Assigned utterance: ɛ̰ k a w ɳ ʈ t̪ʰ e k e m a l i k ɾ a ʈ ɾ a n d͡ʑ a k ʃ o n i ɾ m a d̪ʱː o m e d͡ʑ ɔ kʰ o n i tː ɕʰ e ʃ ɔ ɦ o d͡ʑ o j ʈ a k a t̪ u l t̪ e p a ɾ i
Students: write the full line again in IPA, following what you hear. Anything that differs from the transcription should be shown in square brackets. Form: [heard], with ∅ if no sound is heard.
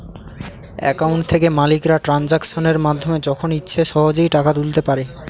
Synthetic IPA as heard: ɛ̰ k a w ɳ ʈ t̪ʰ e k e m a l i k ɾ a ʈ ɾ a n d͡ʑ a k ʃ o n [e] ɾ m a d̪ʱː o m e d͡ʑ ɔ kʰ o n i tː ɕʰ e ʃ ɔ ɦ o d͡ʑ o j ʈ a k a t̪ u l t̪ e p a ɾ [e]